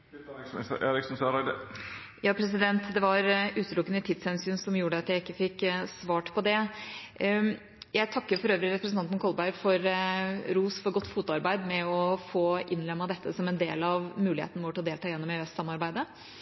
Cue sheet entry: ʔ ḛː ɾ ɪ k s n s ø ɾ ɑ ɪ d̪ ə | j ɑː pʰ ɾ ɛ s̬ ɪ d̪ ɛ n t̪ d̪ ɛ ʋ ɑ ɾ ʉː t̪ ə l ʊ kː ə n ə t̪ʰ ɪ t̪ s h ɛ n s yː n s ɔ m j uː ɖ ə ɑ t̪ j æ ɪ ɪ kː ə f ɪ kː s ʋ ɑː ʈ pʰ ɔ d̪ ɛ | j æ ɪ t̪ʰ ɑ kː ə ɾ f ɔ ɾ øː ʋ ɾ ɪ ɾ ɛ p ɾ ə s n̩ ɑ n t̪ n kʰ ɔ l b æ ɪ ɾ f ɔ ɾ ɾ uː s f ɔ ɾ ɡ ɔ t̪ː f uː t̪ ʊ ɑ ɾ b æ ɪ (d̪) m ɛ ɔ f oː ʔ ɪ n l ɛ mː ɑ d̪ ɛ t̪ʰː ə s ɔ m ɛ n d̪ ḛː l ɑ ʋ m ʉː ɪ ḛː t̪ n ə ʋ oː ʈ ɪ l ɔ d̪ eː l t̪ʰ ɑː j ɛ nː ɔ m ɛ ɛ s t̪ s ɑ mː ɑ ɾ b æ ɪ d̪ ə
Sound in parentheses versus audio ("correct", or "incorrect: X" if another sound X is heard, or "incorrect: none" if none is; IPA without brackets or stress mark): correct